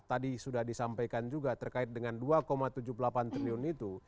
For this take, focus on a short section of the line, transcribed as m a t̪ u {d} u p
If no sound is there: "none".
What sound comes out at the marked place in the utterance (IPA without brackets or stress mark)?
d͡ʒ